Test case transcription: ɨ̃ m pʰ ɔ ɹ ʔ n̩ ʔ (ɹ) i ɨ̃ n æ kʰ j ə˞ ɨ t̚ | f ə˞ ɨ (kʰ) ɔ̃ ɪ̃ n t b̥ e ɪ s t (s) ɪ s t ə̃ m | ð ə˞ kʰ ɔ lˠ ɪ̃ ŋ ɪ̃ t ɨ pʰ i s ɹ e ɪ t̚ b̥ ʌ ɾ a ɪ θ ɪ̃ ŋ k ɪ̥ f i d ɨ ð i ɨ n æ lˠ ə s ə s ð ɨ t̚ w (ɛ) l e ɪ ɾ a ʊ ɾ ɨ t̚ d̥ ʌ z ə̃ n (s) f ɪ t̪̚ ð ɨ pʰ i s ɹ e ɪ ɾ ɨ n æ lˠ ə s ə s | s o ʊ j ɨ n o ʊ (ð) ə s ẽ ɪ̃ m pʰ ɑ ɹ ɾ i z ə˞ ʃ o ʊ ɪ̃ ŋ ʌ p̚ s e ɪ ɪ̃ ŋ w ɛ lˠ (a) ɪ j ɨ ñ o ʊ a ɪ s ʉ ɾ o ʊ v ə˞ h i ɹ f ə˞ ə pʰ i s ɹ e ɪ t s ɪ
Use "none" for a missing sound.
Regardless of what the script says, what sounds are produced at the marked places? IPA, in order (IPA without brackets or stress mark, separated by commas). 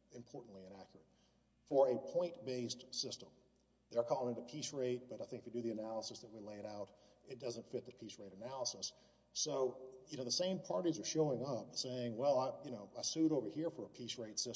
l, pʰ, s, i, t, ð, a